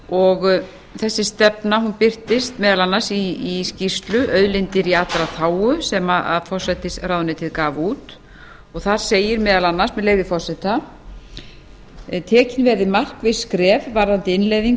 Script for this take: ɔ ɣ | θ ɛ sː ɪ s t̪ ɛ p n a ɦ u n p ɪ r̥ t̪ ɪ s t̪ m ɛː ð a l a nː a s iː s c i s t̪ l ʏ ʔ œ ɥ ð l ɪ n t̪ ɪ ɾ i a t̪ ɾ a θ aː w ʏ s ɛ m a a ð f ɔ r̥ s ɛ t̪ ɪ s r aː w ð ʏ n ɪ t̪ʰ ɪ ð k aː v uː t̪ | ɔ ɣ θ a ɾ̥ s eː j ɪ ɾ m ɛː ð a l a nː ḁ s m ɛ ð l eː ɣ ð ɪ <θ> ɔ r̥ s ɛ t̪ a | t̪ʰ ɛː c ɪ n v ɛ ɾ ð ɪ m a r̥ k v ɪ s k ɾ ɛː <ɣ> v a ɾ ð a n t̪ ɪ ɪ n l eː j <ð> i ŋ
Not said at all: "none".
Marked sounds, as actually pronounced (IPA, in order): f, v, ð

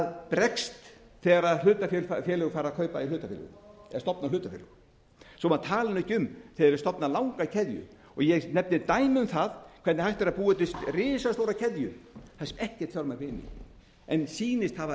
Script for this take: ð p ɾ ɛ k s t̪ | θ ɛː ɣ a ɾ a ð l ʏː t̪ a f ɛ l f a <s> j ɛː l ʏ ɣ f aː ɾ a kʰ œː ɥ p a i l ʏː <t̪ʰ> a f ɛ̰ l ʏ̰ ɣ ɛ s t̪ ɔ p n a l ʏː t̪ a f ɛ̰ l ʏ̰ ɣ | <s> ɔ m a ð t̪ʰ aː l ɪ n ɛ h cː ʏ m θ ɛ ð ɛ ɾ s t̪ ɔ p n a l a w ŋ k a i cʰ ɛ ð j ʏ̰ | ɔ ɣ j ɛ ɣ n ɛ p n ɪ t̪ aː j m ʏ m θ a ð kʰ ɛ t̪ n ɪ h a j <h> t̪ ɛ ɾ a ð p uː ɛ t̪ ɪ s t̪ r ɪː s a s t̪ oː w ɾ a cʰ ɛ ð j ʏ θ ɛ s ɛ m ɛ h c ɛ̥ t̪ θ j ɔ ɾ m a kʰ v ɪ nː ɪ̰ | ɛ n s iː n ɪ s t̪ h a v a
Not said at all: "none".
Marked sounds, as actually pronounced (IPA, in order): f, t̪, s, h

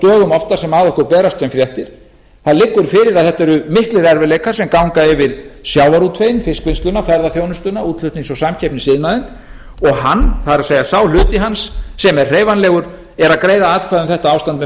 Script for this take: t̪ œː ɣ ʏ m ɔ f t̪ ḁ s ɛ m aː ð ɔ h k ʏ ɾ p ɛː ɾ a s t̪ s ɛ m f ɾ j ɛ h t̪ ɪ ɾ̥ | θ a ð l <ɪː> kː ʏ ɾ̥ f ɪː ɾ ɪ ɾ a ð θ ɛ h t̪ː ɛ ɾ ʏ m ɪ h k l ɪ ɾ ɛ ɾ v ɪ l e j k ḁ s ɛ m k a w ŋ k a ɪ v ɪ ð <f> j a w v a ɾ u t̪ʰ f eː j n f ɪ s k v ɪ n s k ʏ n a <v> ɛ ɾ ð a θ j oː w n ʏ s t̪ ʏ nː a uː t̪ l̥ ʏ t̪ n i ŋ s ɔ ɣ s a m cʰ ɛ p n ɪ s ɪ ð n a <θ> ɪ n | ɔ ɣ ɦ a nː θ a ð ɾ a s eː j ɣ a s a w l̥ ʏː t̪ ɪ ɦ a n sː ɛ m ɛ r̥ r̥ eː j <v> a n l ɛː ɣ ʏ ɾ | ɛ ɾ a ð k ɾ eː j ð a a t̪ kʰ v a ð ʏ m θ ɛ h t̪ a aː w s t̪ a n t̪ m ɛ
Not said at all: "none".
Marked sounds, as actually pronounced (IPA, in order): ɪ, s, f, ð, v

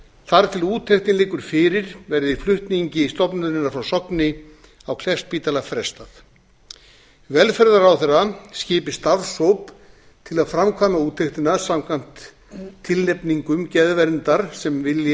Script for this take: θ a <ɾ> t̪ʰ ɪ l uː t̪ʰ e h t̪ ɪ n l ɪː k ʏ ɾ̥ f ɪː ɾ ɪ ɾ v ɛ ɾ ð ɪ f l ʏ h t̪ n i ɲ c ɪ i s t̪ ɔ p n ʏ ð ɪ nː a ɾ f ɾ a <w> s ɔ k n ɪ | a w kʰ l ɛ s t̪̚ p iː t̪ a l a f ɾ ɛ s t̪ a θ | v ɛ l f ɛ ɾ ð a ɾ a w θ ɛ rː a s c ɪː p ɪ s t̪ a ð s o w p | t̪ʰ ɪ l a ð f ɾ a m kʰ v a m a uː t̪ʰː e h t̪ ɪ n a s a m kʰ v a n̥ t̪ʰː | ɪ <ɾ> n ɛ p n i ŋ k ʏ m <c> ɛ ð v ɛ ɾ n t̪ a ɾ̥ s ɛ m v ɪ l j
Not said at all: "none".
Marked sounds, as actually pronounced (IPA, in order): ɾ, w, l, c

